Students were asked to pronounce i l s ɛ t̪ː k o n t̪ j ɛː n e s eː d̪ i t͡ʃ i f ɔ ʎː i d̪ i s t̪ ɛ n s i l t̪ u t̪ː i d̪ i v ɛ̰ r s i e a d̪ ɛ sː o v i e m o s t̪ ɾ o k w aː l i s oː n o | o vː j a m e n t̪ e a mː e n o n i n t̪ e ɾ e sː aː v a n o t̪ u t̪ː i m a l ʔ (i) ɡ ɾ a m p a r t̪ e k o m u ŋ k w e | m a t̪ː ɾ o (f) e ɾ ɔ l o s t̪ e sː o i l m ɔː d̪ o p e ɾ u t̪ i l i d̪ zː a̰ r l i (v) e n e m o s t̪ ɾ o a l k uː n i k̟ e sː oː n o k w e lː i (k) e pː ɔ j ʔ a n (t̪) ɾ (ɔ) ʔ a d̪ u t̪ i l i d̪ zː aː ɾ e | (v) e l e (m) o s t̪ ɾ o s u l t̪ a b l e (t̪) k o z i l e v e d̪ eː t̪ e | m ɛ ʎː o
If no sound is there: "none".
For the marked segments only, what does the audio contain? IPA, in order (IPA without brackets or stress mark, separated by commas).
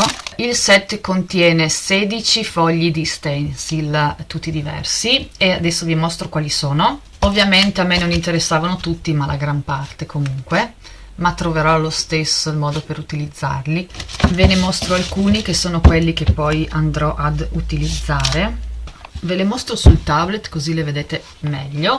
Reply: a, v, v, k, d̪, ɔ, v, m, t̪